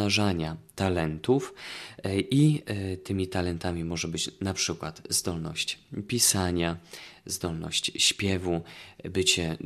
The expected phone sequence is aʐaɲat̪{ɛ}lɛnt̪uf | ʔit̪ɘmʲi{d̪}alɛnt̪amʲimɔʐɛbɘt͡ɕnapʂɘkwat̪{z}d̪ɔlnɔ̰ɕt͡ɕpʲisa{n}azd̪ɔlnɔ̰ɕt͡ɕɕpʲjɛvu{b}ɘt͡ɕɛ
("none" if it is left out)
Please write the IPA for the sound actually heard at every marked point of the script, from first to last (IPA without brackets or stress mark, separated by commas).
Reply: a, t̪, z, ɲ, b